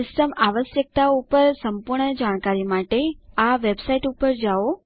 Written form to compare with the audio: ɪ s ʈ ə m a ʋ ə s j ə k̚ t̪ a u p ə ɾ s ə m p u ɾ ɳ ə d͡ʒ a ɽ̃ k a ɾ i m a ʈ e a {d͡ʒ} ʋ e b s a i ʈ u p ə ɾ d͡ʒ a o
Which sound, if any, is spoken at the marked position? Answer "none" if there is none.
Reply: none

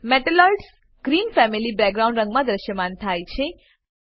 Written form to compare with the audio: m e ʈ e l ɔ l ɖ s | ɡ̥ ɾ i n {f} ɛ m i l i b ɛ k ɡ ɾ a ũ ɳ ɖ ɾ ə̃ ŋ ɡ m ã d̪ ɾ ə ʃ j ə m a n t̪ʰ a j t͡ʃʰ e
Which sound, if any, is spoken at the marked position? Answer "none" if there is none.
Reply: f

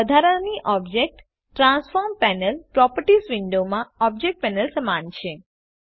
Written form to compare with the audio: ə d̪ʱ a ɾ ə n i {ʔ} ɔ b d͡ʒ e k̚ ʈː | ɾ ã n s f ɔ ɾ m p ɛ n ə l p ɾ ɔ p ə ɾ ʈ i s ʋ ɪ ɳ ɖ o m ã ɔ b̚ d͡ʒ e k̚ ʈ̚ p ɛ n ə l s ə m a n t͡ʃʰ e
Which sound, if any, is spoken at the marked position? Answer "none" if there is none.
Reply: ʔ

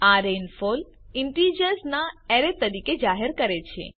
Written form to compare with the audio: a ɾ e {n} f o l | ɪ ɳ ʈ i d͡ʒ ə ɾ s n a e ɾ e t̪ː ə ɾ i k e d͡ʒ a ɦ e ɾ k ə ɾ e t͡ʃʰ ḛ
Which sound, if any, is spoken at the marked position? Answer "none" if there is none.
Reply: n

